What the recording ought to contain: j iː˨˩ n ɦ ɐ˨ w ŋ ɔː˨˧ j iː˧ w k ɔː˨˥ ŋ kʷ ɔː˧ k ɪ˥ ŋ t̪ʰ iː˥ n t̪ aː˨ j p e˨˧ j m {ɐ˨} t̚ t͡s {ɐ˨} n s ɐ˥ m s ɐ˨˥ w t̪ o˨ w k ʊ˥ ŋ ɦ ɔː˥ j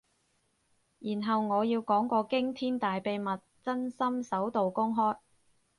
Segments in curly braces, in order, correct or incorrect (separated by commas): correct, incorrect